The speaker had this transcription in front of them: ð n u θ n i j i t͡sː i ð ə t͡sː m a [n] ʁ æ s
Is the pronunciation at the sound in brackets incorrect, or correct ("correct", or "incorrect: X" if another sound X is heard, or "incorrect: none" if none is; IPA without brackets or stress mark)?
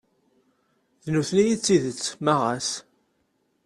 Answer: incorrect: none